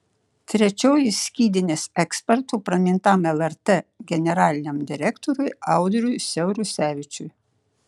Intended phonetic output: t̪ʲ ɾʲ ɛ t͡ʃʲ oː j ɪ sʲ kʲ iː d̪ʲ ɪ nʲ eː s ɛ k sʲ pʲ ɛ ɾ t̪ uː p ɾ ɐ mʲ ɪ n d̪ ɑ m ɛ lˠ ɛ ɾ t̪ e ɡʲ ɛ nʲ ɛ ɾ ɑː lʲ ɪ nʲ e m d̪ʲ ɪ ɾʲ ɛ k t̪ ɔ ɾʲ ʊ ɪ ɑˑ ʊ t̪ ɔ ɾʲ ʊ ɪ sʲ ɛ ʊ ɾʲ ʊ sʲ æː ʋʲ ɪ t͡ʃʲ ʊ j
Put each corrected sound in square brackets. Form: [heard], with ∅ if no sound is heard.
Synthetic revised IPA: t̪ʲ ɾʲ ɛ t͡ʃʲ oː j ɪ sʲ kʲ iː d̪ʲ ɪ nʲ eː s ɛ k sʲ pʲ ɛ ɾ t̪ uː p ɾ ɐ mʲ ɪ n [t̪] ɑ m ɛ lˠ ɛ ɾ t̪ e ɡʲ ɛ nʲ ɛ ɾ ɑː lʲ ɪ nʲ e m d̪ʲ ɪ ɾʲ ɛ k t̪ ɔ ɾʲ ʊ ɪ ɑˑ ʊ [d̪] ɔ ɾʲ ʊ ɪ sʲ ɛ ʊ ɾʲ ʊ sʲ æː ʋʲ ɪ t͡ʃʲ ʊ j